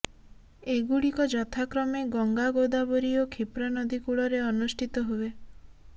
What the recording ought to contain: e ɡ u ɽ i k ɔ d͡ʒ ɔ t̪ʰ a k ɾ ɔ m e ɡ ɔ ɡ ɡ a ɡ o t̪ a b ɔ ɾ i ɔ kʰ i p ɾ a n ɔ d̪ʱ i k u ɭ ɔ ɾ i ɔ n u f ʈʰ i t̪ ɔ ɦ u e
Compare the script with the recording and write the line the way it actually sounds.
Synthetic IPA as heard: e ɡ u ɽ i k ɔ d͡ʒ ɔ t̪ʰ a k ɾ ɔ m e ɡ ɔ ŋ ɡ a ɡ o d̪ a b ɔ ɾ i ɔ kʰ i p ɾ a n ɔ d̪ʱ i k u ɭ ɔ ɾ e ɔ n u s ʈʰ i t̪ ɔ ɦ u e